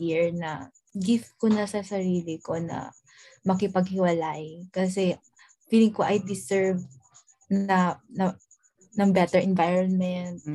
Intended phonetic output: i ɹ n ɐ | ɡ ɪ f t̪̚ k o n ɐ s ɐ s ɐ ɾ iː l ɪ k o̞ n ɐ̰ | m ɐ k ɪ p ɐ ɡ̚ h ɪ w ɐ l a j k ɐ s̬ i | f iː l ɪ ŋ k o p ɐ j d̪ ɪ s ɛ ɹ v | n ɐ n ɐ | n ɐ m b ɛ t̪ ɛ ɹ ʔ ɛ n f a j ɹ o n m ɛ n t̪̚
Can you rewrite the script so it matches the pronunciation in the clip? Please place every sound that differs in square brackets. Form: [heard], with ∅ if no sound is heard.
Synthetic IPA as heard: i ɹ n ɐ | ɡ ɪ f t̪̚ k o n ɐ s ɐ s ɐ ɾ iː l ɪ k o̞ n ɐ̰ | m ɐ k ɪ p ɐ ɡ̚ h ɪ w ɐ l a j k ɐ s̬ [ɛ] | f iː l ɪ ŋ k o [ʔ] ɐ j d̪ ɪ s ɛ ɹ v | n ɐ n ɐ | n ɐ [ŋ] b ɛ t̪ ɛ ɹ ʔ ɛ n [v] a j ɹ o n m ɛ n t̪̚